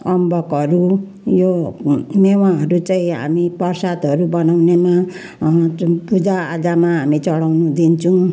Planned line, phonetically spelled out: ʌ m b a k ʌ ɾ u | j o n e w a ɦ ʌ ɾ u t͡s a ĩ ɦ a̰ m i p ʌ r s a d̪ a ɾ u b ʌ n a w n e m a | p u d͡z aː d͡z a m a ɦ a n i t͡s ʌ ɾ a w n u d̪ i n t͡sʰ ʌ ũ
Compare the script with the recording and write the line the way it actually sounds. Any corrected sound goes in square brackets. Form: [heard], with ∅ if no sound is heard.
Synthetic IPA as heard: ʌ m b [ʌ] k ʌ ɾ u | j o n e w a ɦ ʌ ɾ u t͡s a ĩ ɦ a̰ m i p ʌ r s a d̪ [ʌ] ɾ u b ʌ n a w n e m a | p u d͡z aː d͡z a m a ɦ a [m] i t͡s ʌ [ɽ] a w n u d̪ i n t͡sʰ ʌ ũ